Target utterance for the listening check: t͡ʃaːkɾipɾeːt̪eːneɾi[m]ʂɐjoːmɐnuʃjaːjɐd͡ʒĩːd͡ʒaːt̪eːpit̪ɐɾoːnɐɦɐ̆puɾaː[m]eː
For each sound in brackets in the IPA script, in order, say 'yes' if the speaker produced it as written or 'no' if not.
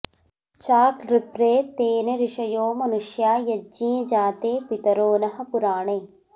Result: no, no

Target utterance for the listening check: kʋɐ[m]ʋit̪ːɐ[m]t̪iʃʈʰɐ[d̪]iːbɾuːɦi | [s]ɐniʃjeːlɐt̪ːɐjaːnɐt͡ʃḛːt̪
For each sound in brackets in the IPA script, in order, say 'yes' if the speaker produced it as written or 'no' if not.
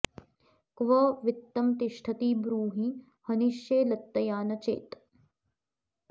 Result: no, yes, no, no

